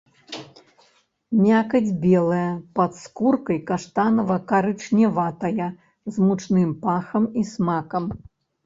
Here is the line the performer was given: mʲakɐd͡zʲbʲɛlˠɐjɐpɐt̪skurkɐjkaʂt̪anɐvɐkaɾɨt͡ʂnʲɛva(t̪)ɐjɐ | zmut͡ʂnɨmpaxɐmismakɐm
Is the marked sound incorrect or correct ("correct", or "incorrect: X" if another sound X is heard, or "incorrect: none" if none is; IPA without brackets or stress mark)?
correct